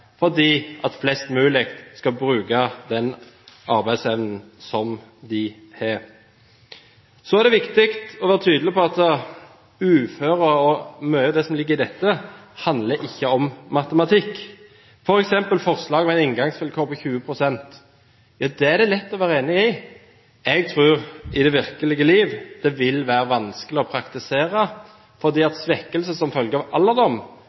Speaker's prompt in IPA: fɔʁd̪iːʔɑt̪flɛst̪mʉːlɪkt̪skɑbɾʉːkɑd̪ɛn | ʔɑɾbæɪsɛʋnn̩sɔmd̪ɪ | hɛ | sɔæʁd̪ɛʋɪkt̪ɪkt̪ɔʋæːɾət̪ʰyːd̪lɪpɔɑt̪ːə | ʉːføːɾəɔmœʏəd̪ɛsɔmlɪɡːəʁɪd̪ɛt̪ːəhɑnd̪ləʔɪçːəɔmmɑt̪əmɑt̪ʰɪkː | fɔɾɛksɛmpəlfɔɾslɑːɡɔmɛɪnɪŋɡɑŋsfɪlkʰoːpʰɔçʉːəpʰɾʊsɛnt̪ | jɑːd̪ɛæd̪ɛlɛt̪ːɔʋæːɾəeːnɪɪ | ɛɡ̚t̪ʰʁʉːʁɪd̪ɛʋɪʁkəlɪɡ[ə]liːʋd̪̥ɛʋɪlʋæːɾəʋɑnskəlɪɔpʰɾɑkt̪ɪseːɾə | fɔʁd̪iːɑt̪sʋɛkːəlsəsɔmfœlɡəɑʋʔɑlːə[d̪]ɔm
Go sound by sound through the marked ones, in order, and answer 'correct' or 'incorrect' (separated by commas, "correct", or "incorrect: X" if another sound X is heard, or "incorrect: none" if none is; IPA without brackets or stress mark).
correct, correct